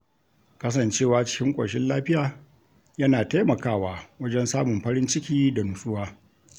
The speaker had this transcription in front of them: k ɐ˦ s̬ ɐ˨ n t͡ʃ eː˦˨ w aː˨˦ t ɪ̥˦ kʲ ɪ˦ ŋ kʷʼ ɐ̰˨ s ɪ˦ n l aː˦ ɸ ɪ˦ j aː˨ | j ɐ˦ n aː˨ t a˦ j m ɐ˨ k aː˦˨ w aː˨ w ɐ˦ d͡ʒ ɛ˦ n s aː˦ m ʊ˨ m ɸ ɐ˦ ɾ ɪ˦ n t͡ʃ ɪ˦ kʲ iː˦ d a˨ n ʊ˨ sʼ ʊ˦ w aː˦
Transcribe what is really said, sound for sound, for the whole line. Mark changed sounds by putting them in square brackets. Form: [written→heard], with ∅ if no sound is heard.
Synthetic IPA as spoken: k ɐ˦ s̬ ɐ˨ n t͡ʃ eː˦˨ w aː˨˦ [t→t͡ʃ] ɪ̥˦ kʲ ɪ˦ ŋ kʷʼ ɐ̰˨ [s→ʃ] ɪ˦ n l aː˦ ɸ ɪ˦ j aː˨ | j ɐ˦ n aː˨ t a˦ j m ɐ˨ k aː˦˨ w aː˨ w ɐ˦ d͡ʒ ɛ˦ n s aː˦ m ʊ˨ m ɸ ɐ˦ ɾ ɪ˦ n t͡ʃ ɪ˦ kʲ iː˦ d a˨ n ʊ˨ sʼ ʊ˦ w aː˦